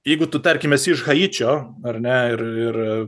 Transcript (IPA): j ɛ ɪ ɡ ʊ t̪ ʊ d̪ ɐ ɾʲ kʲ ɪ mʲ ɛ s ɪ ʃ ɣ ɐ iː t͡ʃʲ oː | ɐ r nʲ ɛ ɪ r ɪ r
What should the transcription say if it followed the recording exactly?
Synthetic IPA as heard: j ɛ ɪ ɡ ʊ t̪ ʊ t̪ ɐ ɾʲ kʲ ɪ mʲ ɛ s ɪ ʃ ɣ ɐ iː t͡ʃʲ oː | ɐ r nʲ ɛ ɪ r ɪ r